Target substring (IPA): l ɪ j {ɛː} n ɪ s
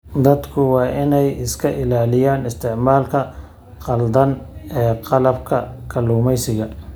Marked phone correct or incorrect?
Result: incorrect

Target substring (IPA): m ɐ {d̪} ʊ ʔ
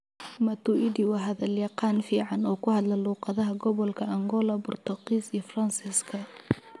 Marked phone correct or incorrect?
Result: incorrect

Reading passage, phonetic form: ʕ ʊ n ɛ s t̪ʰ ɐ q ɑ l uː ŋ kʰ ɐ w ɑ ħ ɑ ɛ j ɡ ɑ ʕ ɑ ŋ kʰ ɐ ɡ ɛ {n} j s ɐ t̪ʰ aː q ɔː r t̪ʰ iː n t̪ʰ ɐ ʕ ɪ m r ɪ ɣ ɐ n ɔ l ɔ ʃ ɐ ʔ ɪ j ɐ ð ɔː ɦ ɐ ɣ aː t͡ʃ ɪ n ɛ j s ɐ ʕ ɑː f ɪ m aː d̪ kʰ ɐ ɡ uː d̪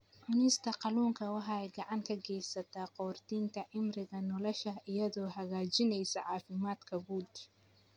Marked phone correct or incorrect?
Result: incorrect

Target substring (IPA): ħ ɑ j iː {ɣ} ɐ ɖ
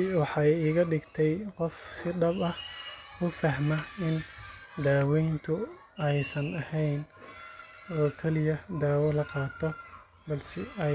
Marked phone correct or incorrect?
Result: correct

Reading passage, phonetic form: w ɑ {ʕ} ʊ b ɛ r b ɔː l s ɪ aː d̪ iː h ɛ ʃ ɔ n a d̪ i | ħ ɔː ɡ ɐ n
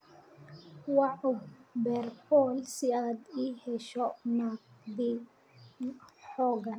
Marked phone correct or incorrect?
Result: correct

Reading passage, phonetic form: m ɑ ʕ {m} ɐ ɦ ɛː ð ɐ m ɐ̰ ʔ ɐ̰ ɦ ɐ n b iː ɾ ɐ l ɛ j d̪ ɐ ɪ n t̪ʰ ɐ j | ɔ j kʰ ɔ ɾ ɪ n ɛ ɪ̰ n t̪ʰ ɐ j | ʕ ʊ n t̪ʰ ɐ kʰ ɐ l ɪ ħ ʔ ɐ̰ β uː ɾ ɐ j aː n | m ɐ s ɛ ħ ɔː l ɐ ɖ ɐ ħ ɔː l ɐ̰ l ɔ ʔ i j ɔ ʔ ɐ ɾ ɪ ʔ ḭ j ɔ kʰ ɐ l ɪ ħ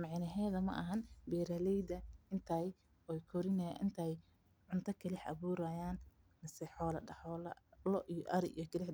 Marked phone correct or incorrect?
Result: incorrect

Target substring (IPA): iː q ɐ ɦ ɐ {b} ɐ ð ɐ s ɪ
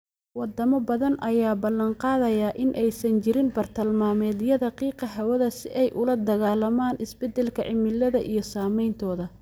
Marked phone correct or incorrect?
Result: incorrect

